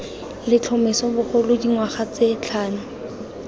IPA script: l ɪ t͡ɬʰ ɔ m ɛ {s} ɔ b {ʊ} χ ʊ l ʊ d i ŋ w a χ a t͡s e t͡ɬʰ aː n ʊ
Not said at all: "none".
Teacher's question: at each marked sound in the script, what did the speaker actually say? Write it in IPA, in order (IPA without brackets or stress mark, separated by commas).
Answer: s, ʊ